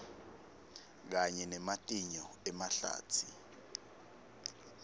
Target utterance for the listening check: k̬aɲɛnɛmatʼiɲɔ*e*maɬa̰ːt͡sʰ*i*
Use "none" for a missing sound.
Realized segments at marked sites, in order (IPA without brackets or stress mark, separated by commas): ɛ, i